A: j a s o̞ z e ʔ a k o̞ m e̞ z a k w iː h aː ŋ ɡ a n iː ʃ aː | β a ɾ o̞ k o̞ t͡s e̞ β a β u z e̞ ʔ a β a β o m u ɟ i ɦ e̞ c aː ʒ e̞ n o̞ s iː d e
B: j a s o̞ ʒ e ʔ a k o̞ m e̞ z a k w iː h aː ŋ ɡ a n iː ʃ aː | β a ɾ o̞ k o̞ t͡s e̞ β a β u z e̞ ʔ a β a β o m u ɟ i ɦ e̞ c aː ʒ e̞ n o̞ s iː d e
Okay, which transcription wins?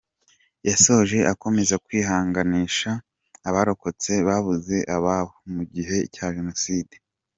B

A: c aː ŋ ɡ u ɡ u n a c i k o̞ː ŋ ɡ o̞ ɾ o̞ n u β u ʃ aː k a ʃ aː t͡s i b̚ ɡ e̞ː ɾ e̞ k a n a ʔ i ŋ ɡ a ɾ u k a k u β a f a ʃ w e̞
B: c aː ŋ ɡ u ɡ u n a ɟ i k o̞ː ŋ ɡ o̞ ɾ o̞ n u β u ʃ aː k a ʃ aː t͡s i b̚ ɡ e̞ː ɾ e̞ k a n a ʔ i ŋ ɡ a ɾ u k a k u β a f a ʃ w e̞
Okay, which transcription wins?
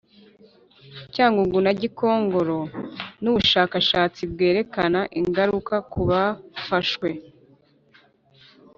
B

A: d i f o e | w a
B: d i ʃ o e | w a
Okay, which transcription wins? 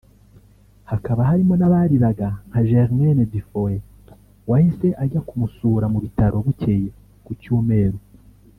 A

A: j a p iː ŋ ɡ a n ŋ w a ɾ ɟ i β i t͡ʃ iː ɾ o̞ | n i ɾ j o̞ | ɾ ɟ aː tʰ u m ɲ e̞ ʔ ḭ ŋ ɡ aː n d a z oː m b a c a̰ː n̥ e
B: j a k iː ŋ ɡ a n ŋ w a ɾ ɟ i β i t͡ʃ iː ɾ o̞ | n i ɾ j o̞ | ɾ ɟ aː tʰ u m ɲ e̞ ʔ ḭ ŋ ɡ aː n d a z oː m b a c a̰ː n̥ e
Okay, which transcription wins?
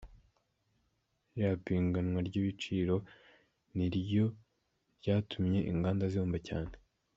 A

